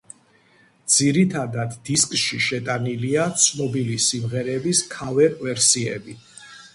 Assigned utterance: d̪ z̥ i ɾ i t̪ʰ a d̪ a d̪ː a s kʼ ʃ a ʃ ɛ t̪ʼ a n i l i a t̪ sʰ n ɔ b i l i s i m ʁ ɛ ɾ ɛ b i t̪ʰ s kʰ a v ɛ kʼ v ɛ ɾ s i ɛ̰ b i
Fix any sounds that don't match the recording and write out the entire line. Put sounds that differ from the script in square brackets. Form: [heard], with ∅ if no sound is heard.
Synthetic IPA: d̪ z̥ i ɾ i t̪ʰ a d̪ a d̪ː [i] s kʼ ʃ [i] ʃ ɛ t̪ʼ a n i l i a t̪ sʰ n ɔ b i l i s i m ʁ ɛ ɾ ɛ b i [∅] s kʰ a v ɛ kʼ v ɛ ɾ s i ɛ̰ b i